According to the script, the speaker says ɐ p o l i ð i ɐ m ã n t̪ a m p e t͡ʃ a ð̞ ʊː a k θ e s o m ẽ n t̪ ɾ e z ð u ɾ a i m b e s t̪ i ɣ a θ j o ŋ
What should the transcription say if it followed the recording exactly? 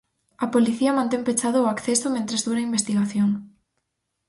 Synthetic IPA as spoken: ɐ p o l i θ i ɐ m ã n t̪ e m p e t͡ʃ a ð̞ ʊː a k θ e s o m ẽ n t̪ ɾ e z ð u ɾ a i m b e s t̪ i ɣ a θ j o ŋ